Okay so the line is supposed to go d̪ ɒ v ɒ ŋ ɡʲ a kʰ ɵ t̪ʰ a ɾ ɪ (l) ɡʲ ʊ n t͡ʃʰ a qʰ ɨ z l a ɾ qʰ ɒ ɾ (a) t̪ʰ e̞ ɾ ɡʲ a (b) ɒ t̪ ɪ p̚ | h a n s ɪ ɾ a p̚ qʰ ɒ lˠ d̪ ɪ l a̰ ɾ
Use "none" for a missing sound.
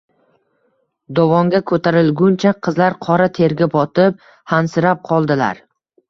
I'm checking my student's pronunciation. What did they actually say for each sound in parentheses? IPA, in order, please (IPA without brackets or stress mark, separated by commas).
l, a, b